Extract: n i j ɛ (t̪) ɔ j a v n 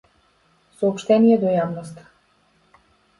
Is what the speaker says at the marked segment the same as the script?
no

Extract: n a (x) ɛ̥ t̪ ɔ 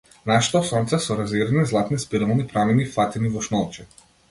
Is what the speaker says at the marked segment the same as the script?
no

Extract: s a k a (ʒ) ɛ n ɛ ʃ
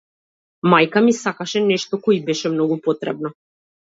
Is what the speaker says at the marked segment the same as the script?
no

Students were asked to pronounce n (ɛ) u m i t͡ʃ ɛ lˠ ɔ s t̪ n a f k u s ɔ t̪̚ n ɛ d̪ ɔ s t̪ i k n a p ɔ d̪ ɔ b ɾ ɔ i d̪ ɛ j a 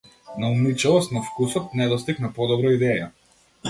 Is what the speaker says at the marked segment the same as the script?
no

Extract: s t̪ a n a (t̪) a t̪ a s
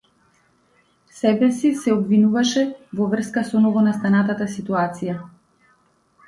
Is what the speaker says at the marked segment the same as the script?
yes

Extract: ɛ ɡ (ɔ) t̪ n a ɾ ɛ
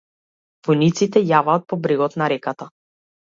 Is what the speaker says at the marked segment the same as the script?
yes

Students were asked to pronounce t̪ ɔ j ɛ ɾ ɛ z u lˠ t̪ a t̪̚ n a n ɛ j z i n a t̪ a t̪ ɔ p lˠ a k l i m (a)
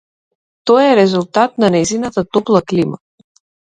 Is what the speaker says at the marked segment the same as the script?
yes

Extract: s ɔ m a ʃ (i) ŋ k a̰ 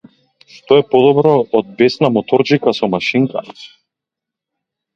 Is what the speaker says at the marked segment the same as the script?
yes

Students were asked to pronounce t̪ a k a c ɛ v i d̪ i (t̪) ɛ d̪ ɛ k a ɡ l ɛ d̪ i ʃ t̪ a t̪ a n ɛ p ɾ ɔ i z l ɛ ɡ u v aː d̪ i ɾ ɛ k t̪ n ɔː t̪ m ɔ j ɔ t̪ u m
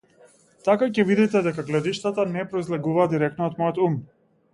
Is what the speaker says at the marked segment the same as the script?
yes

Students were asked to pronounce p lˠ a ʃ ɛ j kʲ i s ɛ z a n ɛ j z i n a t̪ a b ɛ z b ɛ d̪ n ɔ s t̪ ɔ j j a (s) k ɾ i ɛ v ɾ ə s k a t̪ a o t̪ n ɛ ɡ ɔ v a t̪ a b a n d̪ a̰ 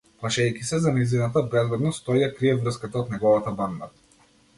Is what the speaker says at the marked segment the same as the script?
no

